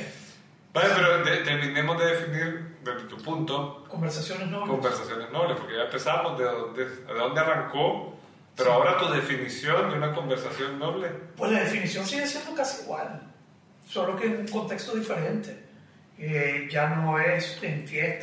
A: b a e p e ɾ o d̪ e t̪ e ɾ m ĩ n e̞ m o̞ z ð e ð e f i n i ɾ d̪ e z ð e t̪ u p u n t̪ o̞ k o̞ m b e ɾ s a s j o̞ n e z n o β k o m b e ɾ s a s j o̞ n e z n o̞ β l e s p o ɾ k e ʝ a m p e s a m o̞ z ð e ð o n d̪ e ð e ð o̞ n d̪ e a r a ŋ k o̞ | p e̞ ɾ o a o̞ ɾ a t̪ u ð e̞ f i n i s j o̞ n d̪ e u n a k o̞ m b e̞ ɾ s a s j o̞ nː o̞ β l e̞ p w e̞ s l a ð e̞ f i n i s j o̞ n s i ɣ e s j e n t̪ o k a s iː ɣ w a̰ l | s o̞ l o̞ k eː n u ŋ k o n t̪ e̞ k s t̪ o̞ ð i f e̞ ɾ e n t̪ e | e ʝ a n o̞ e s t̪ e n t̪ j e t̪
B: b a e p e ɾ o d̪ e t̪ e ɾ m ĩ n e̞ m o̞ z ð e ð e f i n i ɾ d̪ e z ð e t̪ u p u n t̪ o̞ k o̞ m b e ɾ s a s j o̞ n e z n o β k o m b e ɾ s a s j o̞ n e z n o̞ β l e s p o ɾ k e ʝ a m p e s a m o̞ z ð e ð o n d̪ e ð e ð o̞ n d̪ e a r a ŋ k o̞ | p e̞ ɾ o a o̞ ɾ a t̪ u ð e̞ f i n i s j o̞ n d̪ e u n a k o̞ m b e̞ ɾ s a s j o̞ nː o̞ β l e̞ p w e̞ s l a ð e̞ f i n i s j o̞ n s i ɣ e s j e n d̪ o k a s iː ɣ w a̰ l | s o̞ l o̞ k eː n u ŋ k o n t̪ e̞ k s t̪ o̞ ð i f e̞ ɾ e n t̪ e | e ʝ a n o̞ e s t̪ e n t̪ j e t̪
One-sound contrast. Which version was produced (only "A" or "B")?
B